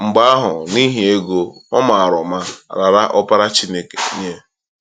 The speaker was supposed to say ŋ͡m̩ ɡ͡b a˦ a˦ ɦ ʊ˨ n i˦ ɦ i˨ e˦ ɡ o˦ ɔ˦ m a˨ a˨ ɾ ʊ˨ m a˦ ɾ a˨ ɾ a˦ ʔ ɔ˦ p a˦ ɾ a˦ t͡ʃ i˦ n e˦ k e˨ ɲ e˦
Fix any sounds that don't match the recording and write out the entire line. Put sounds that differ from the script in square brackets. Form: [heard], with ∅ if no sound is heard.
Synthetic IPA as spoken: ŋ͡m̩ ɡ͡b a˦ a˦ ɦ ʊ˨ n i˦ ɦ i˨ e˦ ɡ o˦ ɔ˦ m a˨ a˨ ɾ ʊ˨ m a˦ ɾ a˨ ɾ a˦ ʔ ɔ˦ p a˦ ɾ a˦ t͡ʃ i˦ n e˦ k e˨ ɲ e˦

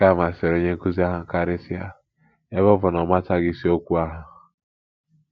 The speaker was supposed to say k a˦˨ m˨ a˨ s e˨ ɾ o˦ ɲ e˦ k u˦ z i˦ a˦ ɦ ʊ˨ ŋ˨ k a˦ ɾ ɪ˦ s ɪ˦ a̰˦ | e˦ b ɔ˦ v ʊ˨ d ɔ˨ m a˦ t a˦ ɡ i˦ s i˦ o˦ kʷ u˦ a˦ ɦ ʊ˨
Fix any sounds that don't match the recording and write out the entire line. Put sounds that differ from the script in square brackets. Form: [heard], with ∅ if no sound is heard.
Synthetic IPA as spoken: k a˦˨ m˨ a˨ s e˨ ɾ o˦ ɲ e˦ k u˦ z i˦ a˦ ɦ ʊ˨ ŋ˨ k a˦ ɾ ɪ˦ s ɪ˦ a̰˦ | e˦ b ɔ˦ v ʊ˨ [n] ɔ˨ m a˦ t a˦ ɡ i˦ s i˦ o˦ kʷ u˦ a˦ ɦ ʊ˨

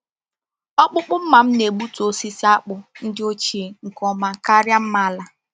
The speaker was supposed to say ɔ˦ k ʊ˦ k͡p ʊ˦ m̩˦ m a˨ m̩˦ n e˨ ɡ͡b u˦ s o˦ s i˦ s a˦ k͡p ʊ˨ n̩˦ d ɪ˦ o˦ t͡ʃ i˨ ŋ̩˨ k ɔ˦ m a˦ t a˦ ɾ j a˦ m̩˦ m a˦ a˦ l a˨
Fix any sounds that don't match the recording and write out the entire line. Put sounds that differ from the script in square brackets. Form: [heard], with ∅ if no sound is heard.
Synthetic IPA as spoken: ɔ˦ [k͡p] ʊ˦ k͡p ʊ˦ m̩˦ m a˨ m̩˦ n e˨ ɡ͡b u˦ [t] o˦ s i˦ s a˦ k͡p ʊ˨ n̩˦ d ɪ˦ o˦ t͡ʃ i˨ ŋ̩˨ k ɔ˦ m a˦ [k] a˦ ɾ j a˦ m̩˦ m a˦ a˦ l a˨

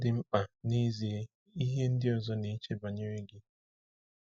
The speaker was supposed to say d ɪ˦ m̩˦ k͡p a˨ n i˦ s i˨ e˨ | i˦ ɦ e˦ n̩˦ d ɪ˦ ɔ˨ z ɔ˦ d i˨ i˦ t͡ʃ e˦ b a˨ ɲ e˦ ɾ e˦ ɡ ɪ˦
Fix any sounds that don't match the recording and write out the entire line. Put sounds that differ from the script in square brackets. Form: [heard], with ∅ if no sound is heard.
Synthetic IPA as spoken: d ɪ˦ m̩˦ k͡p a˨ n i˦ [z] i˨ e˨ | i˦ ɦ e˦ n̩˦ d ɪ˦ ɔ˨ z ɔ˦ [n] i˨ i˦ t͡ʃ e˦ b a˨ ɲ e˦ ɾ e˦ ɡ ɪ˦

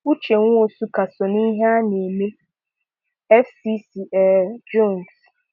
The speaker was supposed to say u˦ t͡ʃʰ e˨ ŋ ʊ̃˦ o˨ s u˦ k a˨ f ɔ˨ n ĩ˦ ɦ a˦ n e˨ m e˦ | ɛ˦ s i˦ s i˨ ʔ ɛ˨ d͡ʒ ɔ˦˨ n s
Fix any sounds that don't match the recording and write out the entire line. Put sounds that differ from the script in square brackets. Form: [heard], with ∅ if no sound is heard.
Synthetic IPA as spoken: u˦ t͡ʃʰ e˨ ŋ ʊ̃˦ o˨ s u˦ k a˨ [s] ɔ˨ n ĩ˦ ɦ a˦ n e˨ m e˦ | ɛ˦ [f] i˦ s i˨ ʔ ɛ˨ d͡ʒ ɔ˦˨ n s

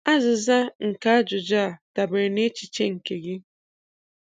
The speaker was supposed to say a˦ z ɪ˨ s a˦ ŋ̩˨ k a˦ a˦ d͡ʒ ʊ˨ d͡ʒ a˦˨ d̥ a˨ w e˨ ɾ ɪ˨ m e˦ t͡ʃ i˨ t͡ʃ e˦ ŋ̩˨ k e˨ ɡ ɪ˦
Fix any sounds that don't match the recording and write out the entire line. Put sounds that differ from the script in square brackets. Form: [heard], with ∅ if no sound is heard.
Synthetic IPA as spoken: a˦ z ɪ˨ [z] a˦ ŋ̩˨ k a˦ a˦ d͡ʒ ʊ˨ d͡ʒ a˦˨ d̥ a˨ [b] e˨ ɾ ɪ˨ [n] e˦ t͡ʃ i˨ t͡ʃ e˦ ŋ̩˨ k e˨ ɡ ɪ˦

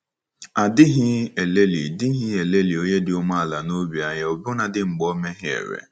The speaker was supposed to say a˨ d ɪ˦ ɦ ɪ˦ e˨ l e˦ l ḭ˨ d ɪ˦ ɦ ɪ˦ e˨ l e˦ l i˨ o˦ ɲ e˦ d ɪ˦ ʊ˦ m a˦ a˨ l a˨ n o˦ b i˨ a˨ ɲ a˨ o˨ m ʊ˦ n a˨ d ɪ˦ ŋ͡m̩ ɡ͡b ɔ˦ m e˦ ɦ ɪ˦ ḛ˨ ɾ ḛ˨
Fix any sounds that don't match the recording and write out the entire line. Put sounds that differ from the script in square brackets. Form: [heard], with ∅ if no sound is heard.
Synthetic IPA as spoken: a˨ d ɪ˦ ɦ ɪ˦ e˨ l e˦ l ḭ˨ d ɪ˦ ɦ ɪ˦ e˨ l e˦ l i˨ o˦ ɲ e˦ d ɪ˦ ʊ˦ m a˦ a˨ l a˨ n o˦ b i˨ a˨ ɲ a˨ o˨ [b] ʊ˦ n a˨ d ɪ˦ ŋ͡m̩ ɡ͡b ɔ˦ m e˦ ɦ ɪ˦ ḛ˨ ɾ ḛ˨

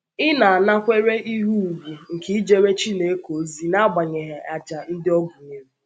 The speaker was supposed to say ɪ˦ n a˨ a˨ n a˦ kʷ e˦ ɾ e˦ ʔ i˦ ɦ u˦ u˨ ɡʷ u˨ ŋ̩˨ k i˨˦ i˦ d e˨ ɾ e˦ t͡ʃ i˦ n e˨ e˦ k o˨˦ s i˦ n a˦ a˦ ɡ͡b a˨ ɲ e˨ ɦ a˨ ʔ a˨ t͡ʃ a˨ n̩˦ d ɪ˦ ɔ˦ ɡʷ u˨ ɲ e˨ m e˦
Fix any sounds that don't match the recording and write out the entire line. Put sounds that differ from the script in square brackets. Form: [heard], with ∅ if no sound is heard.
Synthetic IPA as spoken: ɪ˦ n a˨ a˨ n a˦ kʷ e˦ ɾ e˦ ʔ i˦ ɦ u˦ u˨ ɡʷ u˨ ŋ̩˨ k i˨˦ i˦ [d͡ʒ] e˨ ɾ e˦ t͡ʃ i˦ n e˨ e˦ k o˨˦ [z] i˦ n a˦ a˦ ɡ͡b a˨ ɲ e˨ ɦ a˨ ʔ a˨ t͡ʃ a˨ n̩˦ d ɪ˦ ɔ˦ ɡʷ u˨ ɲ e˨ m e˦

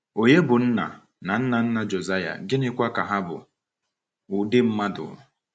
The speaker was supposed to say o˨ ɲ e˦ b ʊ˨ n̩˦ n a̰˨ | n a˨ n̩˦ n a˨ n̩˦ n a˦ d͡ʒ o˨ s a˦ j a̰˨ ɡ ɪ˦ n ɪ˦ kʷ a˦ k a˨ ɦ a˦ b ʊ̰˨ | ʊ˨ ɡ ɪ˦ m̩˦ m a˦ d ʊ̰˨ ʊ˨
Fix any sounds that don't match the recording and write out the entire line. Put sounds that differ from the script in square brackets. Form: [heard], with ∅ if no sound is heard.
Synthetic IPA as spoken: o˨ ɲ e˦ b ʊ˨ n̩˦ n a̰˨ | n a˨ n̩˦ n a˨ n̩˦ n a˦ d͡ʒ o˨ [z] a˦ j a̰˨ ɡ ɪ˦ n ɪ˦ kʷ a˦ k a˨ ɦ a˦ b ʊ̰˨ | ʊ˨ [d] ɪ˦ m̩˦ m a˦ d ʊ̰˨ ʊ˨

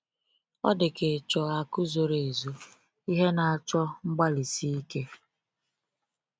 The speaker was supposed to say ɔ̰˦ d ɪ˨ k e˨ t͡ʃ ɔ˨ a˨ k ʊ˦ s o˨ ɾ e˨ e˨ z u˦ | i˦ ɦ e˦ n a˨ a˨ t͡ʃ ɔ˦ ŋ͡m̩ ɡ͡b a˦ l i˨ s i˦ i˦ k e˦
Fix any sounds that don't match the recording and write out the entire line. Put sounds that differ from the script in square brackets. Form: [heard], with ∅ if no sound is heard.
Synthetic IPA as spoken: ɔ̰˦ d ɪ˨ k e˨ t͡ʃ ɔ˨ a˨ k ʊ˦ [z] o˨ ɾ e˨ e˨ z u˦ | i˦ ɦ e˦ n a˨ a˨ t͡ʃ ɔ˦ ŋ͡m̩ ɡ͡b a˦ l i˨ s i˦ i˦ k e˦

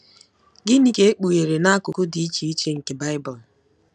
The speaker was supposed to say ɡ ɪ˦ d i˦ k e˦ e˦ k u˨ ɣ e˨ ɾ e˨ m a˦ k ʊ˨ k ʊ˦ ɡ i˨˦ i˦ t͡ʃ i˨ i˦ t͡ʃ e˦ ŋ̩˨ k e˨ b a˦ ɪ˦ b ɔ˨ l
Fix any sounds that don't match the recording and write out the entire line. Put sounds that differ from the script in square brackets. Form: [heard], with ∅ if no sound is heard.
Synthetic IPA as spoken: ɡ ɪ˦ [n] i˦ k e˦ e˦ [k͡p] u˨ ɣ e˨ ɾ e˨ [n] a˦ k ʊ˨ k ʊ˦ [d] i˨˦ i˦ t͡ʃ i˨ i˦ t͡ʃ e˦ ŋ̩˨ k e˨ b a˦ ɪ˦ b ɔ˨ l

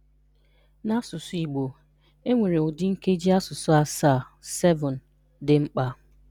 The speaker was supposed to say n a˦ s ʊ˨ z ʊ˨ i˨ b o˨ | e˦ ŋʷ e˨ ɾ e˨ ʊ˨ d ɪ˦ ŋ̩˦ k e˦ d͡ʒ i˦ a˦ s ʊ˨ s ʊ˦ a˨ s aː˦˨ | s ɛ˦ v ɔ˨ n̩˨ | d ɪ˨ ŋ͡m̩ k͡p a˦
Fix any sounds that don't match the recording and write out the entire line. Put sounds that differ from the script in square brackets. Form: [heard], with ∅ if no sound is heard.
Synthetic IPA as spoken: n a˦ s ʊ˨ [s] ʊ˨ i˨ [ɡ͡b] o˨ | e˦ ŋʷ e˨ ɾ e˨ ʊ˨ d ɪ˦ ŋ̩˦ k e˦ d͡ʒ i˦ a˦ s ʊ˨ s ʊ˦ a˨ s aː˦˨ | s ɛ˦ v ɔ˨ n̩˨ | d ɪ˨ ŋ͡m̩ k͡p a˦

